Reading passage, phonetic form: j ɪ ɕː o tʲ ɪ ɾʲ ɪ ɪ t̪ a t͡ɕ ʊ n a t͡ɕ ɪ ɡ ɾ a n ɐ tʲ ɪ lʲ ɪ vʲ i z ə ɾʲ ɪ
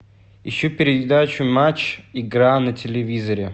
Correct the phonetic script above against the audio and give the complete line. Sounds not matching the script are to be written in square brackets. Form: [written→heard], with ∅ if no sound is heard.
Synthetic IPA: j ɪ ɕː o [tʲ→pʲ] ɪ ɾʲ ɪ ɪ [t̪→d̪] a t͡ɕ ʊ [n→m] a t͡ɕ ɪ ɡ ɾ a n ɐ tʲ ɪ lʲ ɪ vʲ i z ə ɾʲ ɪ